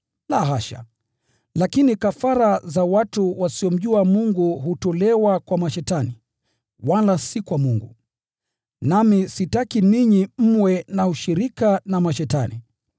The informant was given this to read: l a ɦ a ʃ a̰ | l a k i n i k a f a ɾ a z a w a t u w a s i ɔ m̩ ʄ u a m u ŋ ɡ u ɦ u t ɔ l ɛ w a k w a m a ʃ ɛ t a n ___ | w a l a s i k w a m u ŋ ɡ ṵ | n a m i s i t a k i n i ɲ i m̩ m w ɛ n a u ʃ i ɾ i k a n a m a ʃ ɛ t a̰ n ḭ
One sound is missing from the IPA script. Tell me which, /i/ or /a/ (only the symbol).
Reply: i